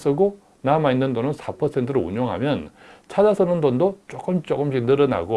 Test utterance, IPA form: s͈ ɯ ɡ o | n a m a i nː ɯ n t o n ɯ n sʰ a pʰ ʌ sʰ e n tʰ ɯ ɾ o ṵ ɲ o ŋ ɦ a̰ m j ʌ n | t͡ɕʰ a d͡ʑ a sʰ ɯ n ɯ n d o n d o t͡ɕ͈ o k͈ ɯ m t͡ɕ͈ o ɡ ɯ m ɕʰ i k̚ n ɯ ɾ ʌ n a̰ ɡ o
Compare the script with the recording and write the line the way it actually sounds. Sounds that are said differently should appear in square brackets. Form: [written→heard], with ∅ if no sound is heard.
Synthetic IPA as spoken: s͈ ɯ ɡ o | n a m a i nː ɯ n [t→d] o n ɯ n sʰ a pʰ ʌ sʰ e n tʰ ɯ ɾ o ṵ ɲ o ŋ ɦ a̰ m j ʌ n | t͡ɕʰ a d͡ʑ a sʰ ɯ n ɯ n d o n d o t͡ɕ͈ o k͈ ɯ m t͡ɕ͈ o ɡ ɯ m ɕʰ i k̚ n ɯ ɾ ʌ n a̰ ɡ o